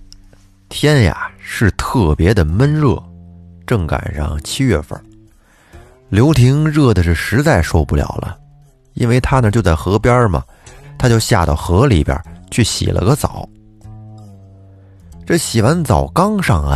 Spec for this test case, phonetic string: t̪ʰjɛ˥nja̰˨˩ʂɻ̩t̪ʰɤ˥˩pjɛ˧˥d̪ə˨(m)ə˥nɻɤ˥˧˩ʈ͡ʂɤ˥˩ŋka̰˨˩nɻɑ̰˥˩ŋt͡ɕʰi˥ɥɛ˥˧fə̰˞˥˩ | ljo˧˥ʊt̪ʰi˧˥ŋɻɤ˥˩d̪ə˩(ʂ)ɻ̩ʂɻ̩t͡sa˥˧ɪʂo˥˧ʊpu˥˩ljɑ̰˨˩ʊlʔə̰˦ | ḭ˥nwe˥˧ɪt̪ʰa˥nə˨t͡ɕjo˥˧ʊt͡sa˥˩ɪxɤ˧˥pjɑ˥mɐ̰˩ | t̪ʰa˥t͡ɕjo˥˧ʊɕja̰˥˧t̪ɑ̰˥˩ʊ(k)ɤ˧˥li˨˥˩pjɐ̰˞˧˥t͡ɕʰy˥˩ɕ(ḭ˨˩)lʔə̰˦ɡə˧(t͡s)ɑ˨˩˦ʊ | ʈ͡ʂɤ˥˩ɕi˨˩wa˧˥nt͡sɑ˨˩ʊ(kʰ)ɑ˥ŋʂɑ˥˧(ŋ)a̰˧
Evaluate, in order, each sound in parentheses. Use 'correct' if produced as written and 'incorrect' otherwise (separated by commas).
correct, correct, incorrect, correct, correct, incorrect, correct